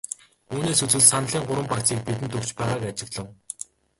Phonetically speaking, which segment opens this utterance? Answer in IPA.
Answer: uː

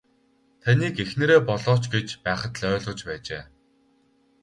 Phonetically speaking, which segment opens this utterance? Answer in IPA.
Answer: t̪ʰ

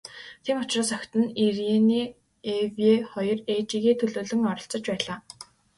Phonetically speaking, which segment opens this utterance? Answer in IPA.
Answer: t̪ʰ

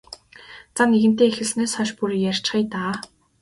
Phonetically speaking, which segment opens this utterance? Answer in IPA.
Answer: t͡s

